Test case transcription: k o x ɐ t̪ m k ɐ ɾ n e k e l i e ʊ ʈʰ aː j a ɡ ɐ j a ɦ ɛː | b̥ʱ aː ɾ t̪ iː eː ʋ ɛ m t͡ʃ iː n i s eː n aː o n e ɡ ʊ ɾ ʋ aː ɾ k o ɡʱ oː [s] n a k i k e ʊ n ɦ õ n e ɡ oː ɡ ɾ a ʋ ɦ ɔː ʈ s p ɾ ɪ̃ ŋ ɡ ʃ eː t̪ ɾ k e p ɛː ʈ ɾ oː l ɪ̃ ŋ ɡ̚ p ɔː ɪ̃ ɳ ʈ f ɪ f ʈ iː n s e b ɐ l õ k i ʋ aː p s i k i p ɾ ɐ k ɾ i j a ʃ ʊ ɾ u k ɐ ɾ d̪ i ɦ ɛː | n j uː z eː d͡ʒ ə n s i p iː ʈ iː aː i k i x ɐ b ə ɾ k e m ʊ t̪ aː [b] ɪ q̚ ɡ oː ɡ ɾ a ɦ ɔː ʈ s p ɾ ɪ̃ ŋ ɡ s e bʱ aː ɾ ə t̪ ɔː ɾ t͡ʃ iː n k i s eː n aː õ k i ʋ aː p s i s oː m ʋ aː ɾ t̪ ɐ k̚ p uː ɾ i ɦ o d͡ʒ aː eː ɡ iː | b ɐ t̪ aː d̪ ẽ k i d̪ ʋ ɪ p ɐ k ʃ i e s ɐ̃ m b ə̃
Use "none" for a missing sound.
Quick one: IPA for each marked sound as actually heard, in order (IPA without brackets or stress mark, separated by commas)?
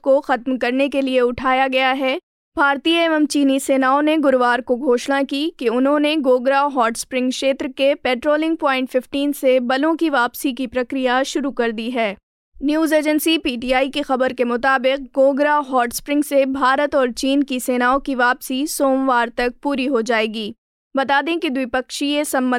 ʃ, b